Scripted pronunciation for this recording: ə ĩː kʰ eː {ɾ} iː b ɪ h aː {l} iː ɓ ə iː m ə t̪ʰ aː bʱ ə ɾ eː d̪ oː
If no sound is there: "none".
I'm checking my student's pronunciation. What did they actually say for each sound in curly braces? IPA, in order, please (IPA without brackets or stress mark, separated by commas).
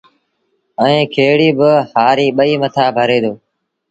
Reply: ɽ, ɾ